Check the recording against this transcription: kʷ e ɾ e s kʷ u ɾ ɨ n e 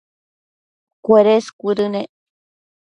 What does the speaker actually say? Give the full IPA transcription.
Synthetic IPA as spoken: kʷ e ɾ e s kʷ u ɾ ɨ n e